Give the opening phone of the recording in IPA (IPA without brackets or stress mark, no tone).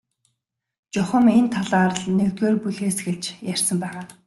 t͡ɕ